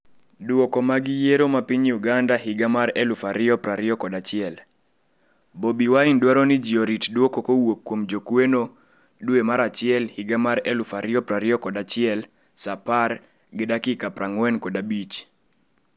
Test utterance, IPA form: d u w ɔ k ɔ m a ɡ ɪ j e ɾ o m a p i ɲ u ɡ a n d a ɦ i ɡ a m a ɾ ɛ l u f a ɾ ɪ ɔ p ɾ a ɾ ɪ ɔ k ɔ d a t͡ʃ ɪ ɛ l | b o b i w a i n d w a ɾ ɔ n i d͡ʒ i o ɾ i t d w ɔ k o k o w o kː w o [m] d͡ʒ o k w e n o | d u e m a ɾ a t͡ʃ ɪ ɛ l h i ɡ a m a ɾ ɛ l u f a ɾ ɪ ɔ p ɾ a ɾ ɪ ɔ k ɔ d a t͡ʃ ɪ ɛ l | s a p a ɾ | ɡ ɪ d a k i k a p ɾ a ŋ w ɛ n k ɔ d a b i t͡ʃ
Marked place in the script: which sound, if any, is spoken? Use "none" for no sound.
m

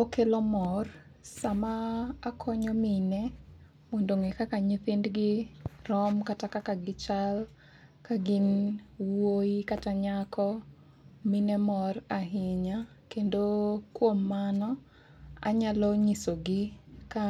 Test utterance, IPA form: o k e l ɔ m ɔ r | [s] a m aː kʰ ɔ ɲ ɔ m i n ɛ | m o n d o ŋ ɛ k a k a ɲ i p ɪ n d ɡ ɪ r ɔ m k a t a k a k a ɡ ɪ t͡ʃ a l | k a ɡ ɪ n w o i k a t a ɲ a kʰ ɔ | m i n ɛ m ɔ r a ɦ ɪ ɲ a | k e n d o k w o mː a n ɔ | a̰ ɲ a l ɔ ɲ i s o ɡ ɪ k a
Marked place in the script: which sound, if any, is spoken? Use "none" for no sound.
s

